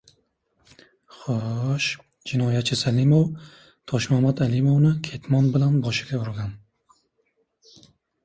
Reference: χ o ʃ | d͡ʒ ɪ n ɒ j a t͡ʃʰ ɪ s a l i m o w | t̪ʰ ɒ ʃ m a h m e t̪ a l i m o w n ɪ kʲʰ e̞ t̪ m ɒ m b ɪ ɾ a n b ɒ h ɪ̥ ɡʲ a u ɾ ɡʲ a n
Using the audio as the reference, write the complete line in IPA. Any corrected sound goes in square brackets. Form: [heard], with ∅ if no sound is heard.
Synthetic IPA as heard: χ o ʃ | d͡ʒ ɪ n ɒ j a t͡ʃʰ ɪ s a l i m o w | t̪ʰ ɒ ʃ m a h m [a] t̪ a l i m o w n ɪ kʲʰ e̞ t̪ m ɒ [n] b ɪ [l] a n b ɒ [ʃ] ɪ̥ ɡʲ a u ɾ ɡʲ a n